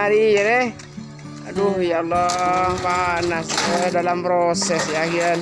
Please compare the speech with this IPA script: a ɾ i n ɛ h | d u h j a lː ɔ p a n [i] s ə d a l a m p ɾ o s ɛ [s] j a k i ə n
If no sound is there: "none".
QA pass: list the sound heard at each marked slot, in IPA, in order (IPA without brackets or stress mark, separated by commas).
a, s